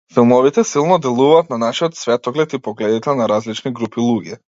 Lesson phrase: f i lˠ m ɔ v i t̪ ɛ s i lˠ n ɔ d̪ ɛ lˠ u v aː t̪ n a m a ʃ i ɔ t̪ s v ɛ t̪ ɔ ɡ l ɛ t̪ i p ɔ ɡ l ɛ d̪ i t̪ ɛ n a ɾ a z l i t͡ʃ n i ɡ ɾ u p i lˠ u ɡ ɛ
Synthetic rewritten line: f i lˠ m ɔ v i t̪ ɛ s i lˠ n ɔ d̪ ɛ lˠ u v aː t̪ n a n a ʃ i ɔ t̪ s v ɛ t̪ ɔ ɡ l ɛ t̪ i p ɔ ɡ l ɛ d̪ i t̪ ɛ n a ɾ a z l i t͡ʃ n i ɡ ɾ u p i lˠ u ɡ ɛ